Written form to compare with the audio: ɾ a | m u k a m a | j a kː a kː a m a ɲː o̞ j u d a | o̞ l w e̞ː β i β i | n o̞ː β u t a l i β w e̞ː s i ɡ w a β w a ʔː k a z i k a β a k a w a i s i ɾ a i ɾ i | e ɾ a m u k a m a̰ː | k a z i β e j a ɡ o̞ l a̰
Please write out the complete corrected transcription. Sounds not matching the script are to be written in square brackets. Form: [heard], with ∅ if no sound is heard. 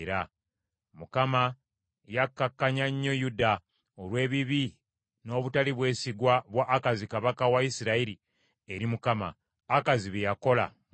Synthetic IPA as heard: ɾ a | m u k a m a | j a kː a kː a [ɲ] a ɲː o̞ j u d a | o̞ l w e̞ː β i β i | n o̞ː β u t a l i β w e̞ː s i ɡ w a β w a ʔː k a z i k a β a k a w a i s i ɾ a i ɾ i | e ɾ [i] m u k a m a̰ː | k a z i β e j a [k] o̞ l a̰

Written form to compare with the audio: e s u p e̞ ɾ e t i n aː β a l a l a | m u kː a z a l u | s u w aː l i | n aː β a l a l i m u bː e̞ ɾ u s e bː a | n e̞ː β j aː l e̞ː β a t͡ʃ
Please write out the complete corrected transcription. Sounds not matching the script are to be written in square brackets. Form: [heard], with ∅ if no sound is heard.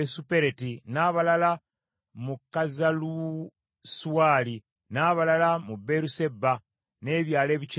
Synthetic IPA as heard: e s u p e̞ ɾ e t i n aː β a l a l a | m u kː a z a l u | s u w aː l i | n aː β a l a l [a] m u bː e̞ ɾ u s e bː a | n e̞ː β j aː l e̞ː β [i] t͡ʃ

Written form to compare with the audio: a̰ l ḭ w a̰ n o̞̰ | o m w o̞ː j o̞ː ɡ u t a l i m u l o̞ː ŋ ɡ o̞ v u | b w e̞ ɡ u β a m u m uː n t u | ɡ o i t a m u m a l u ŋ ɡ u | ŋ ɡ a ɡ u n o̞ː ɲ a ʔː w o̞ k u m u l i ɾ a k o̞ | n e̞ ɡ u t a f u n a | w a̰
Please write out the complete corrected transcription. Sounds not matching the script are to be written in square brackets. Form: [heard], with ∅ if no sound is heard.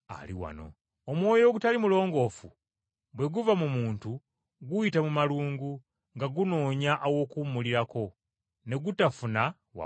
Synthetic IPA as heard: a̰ l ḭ w a̰ n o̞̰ | o m w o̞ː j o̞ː ɡ u t a l i m u l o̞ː ŋ ɡ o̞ [f] u | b w e̞ ɡ u [v] a m u m uː n t u | ɡ [u] i t a m u m a l [uː] ŋ ɡ u | ŋ ɡ a ɡ u n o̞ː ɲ a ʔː w o̞ k u m u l i ɾ a k o̞ | n e̞ ɡ u t a f u n a | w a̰

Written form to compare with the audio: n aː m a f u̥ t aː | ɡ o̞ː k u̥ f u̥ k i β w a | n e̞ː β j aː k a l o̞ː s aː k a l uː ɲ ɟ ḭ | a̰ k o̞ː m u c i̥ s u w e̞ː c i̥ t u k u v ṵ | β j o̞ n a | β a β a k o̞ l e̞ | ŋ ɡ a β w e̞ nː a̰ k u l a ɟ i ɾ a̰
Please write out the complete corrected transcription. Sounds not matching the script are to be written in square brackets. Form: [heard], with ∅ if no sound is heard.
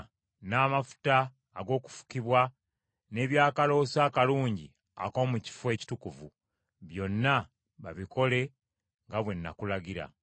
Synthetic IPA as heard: n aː m a f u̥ t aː | ɡ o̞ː k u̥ f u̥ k i β w a | n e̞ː β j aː k a l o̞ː s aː k a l uː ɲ ɟ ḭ | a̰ k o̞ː m u c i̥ [f] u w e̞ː c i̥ t u k u v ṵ | β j o̞ [nː] a | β a β [i] k o̞ l e̞ | ŋ ɡ a β w e̞ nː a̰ k u l a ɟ i ɾ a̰

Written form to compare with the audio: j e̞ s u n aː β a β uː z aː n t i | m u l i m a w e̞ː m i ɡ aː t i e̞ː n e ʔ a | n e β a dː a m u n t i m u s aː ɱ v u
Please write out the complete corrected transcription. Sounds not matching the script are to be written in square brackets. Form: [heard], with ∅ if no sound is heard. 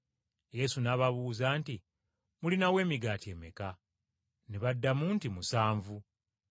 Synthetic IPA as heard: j e̞ s u n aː β a β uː z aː n t i | m u l i [n] a w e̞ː m i ɡ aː t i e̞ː [m] e [k] a | n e β a dː a m u n t i m u s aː ɱ v u

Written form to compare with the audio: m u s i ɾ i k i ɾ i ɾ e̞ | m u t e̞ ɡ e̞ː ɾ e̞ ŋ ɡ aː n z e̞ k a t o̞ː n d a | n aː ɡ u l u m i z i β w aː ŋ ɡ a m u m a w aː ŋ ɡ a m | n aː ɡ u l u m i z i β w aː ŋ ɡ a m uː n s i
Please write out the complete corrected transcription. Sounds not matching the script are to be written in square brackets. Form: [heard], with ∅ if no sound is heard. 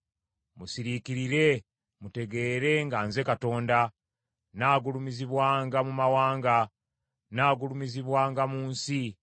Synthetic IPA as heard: m u s i ɾ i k i ɾ i ɾ e̞ | m u t e̞ ɡ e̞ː ɾ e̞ ŋ ɡ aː n z e̞ k a t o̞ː n d a | n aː ɡ u l u m i z i β w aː ŋ ɡ a m u m a w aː ŋ ɡ a [∅] | n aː ɡ u l u m i z i β w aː ŋ ɡ a m uː n s i

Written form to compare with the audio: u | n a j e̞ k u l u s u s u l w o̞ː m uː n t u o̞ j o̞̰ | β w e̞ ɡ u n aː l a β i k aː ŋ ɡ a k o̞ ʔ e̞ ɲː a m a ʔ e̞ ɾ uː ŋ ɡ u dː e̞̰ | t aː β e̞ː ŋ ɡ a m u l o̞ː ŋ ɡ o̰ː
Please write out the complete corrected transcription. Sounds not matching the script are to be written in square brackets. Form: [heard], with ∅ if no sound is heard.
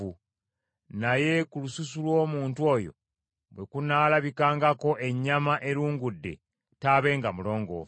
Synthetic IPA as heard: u | n a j e̞ k u l u s u s u l w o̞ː m uː n t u o̞ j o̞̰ | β w e̞ [k] u n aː l a β i k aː ŋ ɡ a k o̞ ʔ e̞ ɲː a m a ʔ e̞ ɾ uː ŋ ɡ u dː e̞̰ | t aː β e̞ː ŋ ɡ a m u l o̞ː ŋ ɡ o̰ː

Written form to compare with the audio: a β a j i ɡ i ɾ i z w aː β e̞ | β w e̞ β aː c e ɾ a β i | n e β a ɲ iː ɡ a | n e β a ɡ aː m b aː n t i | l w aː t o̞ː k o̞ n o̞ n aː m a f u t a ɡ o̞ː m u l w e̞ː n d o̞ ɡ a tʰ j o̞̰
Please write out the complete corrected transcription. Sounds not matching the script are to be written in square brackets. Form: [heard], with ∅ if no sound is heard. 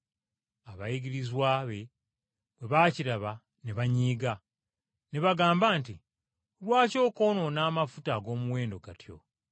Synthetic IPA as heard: a β a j i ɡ i ɾ i z w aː β e̞ | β w e̞ β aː c [i] ɾ a β [a] | n e β a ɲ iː ɡ a | n e β a ɡ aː m b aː n t i | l w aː [c] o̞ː k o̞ n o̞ n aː m a f u t a ɡ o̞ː m u [∅] w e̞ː n d o̞ ɡ a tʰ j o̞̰

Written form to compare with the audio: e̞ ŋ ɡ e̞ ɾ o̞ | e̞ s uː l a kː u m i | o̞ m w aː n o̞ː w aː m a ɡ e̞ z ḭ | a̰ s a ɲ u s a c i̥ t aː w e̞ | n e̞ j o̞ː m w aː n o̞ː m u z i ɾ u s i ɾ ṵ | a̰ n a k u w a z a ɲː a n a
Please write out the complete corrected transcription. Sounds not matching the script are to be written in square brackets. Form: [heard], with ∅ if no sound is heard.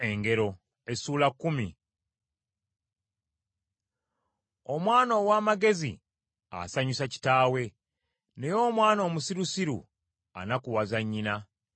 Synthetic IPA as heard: e̞ ŋ ɡ e̞ ɾ o̞ | e̞ s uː l a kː u m i | o̞ m w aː n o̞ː w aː m a ɡ e̞ z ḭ | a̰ s a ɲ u s a c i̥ t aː w e̞ | n e̞ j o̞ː m w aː n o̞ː m u [s] i ɾ u s i ɾ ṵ | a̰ n a k u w a z a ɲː [i] n a

